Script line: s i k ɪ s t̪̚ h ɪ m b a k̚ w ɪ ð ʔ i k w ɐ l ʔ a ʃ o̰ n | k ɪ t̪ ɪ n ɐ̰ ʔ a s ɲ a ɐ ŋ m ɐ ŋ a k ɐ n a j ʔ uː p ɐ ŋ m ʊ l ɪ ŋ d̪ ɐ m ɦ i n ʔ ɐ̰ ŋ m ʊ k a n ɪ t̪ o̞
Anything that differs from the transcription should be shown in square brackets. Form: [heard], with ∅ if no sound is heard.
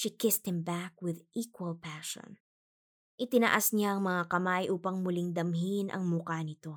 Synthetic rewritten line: [ʃ] i k ɪ s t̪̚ h ɪ m b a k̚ w ɪ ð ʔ i k w ɐ l [p] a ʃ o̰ n | [ʔ] ɪ t̪ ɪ n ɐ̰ ʔ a s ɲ a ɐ ŋ m ɐ ŋ a k ɐ [m] a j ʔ uː p ɐ ŋ m ʊ l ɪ ŋ d̪ ɐ m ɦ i n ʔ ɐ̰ ŋ m ʊ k a n ɪ t̪ o̞